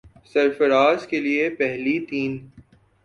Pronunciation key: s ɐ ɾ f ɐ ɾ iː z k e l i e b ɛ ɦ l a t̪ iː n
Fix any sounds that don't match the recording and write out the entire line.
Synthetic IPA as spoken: s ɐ ɾ f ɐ ɾ aː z k e l i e p ɛ ɦ l i t̪ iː n